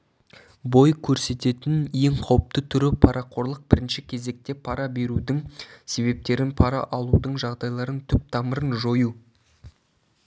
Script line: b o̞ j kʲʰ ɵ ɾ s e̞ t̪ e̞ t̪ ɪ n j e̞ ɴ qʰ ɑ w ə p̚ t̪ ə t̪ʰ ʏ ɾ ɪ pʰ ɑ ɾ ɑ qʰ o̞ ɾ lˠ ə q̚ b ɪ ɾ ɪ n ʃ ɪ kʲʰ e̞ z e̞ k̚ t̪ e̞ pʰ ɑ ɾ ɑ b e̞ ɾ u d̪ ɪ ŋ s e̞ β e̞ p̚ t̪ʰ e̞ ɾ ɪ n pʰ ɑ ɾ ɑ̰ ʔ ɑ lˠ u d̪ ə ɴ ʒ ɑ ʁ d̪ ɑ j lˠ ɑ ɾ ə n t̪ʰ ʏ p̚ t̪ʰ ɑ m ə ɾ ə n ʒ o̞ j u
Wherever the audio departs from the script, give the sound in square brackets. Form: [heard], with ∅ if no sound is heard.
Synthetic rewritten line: b o̞ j kʲʰ ɵ ɾ s e̞ t̪ e̞ t̪ ɪ n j e̞ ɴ qʰ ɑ w ə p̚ t̪ ə t̪ʰ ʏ ɾ ɪ pʰ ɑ ɾ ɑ qʰ o̞ ɾ lˠ ə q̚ b ɪ ɾ ɪ n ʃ ɪ kʲʰ e̞ z e̞ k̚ t̪ e̞ pʰ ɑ ɾ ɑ b e̞ ɾ u d̪ ɪ ŋ s e̞ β e̞ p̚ [t̪] e̞ ɾ ɪ n pʰ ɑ ɾ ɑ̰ ʔ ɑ lˠ u d̪ ə ɴ ʒ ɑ ʁ d̪ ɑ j lˠ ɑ ɾ ə n t̪ʰ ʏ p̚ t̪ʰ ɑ m ə ɾ ə n ʒ o̞ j u